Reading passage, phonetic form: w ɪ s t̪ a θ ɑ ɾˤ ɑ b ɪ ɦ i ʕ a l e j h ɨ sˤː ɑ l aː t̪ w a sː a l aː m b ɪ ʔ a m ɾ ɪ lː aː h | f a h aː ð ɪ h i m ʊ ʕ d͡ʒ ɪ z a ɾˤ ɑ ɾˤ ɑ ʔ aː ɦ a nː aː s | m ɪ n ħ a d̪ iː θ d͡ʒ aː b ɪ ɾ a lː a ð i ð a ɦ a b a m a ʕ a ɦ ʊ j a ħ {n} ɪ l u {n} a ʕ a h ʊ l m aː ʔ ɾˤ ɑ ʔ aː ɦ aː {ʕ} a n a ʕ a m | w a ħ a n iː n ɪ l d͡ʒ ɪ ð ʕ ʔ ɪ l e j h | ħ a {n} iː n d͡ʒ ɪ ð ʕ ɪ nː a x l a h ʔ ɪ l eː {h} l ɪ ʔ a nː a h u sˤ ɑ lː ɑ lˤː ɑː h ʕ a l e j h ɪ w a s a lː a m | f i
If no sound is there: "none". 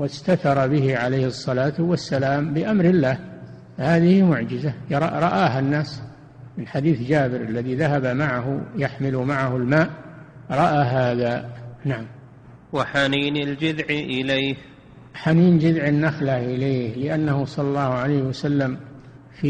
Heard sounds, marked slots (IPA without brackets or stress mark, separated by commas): m, m, ð, n, h